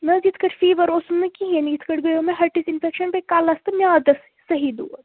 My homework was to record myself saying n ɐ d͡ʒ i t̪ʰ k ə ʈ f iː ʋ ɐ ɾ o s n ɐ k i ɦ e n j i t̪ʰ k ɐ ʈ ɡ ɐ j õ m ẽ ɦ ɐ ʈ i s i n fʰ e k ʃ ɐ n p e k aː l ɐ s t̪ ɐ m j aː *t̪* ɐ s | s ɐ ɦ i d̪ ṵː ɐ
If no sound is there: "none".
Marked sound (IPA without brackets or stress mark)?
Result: d̪